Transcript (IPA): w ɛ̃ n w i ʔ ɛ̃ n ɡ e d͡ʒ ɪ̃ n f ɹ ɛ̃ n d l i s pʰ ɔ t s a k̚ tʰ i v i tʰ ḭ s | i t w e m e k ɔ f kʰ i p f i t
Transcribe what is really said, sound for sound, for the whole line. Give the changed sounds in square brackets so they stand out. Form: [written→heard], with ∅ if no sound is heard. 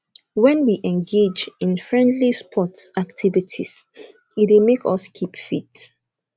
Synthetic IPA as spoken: w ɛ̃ n w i ʔ ɛ̃ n ɡ e d͡ʒ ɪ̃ n f ɹ ɛ̃ n d l i s pʰ ɔ t s a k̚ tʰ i v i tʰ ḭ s | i t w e m e k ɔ [f→s] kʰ i p f i t